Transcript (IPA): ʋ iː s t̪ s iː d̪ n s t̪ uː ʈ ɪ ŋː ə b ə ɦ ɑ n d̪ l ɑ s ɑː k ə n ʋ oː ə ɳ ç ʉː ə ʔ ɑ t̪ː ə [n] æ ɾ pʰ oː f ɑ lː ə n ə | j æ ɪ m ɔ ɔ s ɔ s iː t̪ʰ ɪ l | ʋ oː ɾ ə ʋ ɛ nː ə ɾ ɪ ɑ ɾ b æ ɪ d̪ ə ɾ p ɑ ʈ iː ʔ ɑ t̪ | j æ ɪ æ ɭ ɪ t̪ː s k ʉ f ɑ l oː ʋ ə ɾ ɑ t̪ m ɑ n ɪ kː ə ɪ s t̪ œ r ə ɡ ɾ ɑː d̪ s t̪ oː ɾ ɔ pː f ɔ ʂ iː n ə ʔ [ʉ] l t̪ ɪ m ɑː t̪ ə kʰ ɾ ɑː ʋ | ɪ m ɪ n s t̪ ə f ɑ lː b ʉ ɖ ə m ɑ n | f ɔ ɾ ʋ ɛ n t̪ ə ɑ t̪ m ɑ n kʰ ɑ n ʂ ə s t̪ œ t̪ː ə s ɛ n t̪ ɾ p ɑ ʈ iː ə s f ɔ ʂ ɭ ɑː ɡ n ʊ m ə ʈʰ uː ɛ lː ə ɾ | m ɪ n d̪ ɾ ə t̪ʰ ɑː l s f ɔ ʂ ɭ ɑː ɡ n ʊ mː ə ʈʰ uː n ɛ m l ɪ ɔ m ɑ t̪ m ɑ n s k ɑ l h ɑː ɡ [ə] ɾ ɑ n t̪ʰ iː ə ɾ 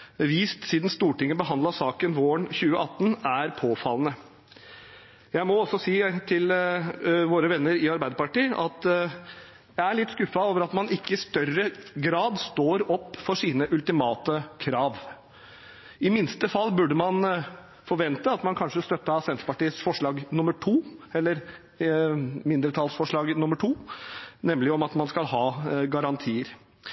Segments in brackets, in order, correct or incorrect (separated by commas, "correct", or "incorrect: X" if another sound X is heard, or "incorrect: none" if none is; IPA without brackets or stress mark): correct, correct, incorrect: ɑ